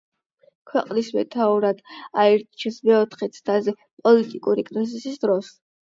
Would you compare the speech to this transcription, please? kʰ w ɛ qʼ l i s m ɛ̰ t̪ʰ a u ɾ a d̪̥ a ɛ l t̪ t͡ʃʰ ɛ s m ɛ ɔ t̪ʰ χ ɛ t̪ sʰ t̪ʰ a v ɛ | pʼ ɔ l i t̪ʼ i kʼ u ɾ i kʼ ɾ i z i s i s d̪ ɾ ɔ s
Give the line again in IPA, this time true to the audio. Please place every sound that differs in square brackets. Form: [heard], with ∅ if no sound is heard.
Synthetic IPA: kʰ w ɛ qʼ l i s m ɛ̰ t̪ʰ a u ɾ a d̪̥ a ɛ [ɾ] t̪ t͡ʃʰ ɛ s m ɛ ɔ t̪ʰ χ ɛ t̪ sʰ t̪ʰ a [z] ɛ | pʼ ɔ l i t̪ʼ i kʼ u ɾ i kʼ ɾ i z i s i s d̪ ɾ ɔ s